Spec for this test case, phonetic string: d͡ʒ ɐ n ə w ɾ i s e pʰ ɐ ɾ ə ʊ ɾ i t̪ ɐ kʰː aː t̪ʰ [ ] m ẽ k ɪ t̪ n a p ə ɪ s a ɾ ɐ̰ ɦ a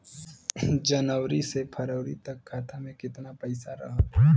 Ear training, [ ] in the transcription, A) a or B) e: A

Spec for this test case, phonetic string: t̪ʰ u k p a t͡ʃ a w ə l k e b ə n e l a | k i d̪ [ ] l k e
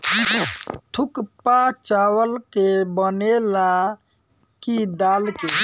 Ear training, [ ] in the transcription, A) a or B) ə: A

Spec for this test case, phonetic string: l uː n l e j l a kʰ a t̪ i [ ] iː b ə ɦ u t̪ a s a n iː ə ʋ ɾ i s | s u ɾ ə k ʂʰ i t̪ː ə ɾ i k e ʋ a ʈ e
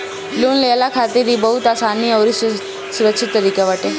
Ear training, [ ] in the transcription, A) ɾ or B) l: A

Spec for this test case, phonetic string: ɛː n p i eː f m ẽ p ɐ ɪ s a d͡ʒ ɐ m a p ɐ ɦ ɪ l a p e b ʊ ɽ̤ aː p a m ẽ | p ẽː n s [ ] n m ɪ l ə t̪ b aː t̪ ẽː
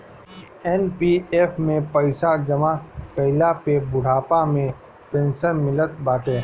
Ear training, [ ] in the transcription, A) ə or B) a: A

